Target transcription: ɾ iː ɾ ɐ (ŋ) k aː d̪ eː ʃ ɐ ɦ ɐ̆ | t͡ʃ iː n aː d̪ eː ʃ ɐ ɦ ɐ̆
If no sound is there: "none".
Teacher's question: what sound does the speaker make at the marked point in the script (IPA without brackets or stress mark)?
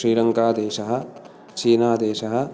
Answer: ŋ